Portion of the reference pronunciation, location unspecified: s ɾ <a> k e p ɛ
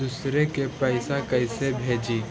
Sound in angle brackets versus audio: incorrect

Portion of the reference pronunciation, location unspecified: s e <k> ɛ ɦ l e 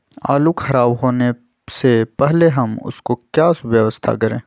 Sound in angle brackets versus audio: incorrect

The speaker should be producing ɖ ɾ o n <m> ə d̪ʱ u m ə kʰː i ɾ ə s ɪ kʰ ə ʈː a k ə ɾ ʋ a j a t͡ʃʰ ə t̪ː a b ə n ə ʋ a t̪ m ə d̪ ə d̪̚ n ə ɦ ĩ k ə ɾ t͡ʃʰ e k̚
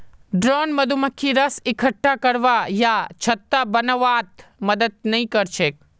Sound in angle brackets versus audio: correct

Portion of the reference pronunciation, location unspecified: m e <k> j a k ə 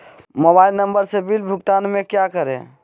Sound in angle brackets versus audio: correct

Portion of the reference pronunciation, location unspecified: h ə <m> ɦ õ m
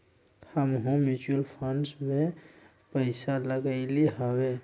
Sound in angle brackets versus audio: correct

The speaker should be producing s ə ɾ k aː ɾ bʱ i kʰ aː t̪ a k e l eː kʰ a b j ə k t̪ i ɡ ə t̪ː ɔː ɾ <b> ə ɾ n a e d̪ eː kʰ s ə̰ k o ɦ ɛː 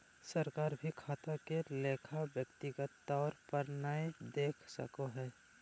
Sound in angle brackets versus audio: incorrect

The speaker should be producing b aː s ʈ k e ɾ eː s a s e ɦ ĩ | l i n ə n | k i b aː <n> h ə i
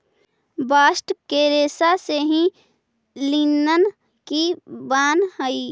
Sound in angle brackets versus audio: correct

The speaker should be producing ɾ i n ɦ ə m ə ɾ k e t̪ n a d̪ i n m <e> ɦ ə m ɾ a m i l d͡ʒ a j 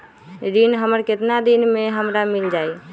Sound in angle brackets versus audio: correct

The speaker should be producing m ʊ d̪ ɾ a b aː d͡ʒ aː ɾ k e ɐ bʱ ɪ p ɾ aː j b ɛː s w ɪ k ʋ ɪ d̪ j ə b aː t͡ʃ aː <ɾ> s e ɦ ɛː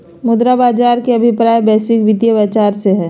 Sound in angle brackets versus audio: correct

